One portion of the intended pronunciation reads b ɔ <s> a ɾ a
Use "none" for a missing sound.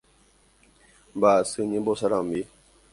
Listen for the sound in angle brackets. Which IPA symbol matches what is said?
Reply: s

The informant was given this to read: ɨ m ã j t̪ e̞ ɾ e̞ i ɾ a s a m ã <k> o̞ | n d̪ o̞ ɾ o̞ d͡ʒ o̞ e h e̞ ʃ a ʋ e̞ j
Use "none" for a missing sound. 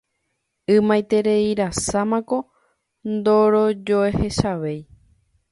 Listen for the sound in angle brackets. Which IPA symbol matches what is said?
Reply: k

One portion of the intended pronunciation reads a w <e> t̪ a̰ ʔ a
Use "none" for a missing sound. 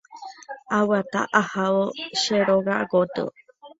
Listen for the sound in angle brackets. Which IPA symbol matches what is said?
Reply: a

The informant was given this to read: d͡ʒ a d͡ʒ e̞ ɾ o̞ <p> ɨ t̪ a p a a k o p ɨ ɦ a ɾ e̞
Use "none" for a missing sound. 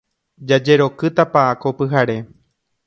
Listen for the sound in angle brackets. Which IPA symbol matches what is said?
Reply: k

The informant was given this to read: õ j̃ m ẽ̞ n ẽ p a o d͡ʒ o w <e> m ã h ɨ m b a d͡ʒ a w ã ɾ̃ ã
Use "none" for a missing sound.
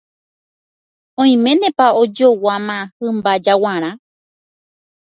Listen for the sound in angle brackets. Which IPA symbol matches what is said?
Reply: a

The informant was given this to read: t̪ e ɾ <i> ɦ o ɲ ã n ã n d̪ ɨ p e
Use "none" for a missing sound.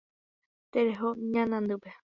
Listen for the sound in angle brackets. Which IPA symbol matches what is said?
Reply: e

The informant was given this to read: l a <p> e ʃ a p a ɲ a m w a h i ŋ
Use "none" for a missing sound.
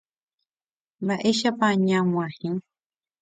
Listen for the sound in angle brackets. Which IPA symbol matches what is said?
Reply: ʔ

